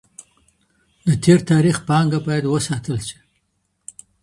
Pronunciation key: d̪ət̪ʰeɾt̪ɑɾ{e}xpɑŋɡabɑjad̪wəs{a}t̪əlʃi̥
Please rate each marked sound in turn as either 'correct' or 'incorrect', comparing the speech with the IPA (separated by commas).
incorrect, incorrect